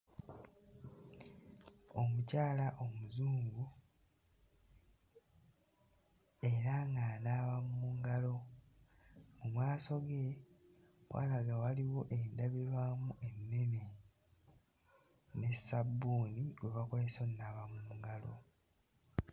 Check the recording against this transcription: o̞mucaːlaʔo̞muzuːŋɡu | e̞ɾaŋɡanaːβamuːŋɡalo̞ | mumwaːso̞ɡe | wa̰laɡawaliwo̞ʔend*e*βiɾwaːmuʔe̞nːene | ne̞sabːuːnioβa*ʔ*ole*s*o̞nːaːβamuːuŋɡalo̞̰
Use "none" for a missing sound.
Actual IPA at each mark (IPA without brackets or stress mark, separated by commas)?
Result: a, k, s